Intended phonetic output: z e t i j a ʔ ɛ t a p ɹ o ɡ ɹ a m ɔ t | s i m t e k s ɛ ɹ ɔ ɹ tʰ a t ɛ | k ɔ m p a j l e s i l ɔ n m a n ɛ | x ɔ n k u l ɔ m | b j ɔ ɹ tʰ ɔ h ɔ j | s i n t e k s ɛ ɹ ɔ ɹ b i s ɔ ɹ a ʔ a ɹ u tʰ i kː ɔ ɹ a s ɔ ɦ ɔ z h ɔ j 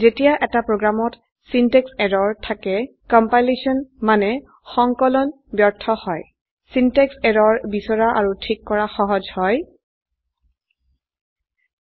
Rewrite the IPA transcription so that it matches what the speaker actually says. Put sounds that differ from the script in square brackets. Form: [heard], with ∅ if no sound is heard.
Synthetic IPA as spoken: z e t i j a ʔ ɛ t a p ɹ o ɡ ɹ a m ɔ t | s i [n] t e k s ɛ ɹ ɔ ɹ tʰ a [k] ɛ | k ɔ m p a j l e s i [∅] ɔ n m a n ɛ | x ɔ [ŋ] k [ɔ] l ɔ [n] | b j ɔ ɹ tʰ ɔ h ɔ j | s i n t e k s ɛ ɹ ɔ ɹ b i s ɔ ɹ a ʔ a ɹ u tʰ i kː ɔ ɹ a [x] ɔ ɦ ɔ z h ɔ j